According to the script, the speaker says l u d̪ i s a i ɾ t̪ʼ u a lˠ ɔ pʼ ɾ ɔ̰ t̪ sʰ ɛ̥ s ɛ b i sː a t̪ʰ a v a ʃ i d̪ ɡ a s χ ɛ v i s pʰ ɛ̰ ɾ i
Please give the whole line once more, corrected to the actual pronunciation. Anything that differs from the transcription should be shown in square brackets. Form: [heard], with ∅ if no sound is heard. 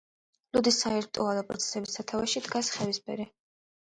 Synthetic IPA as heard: l u d̪ i s a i ɾ t̪ʼ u a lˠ ɔ pʼ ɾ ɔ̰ t̪ sʰ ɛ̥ s ɛ b i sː a t̪ʰ a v a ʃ i d̪ ɡ a s χ ɛ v i s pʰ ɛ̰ ɾ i